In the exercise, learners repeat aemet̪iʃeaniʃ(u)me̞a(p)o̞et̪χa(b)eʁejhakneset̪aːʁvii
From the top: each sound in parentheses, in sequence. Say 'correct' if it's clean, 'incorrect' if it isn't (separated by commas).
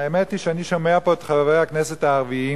incorrect, correct, incorrect